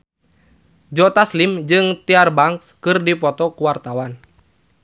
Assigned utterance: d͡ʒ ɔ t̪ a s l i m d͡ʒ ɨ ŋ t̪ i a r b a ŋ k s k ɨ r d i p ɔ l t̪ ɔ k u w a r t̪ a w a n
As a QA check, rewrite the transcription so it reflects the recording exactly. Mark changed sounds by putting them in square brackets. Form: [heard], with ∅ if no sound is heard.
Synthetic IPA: d͡ʒ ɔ t̪ a s l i m d͡ʒ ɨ ŋ t̪ i a r b a ŋ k s k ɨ r d i p ɔ [∅] t̪ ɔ k u w a r t̪ a w a n